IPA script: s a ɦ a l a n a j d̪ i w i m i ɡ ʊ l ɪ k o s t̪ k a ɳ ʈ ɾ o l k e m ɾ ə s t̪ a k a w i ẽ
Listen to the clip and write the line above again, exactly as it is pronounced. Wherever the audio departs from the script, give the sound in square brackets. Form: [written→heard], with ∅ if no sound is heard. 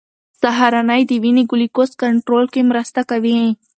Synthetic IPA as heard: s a ɦ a [l→ɾ] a n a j d̪ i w i [m→n] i ɡ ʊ l [ɪ→i] k o s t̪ k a ɳ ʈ ɾ o l k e m ɾ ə s t̪ a k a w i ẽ

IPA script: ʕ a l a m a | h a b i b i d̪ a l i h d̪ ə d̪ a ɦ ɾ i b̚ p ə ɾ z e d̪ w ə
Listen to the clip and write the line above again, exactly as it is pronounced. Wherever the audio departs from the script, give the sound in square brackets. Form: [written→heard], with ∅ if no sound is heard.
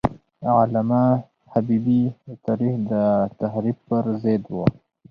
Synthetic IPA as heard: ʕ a l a m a | h a b i b i [d̪→t̪] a [l→ɾ] i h d̪ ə [d̪→t̪] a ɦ ɾ i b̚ p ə ɾ z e d̪ w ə

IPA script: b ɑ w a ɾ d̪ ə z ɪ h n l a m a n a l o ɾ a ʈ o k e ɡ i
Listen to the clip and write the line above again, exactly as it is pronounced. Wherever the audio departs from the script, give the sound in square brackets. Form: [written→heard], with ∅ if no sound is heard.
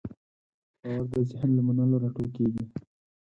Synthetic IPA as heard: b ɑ w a ɾ d̪ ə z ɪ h n l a m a n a l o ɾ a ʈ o k e ɡ i

